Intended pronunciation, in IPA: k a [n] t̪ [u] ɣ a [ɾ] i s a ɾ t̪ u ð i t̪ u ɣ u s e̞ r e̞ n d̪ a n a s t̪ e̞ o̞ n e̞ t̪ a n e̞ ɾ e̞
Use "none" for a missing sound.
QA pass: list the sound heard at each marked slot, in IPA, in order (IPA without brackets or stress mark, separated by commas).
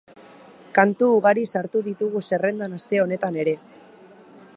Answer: n, uː, ɾ